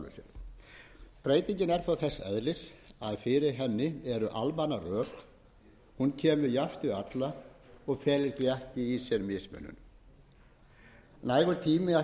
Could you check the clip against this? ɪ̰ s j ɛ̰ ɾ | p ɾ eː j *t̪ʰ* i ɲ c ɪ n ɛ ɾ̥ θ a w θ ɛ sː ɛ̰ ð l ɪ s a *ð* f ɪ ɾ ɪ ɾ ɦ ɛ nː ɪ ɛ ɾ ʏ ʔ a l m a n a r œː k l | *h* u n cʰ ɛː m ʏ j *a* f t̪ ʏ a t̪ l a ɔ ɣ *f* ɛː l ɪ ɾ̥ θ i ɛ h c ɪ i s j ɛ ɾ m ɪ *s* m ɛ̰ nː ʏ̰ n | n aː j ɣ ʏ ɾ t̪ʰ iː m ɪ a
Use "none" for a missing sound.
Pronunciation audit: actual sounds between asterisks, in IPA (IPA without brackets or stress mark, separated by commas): t̪, ð, h, a, f, s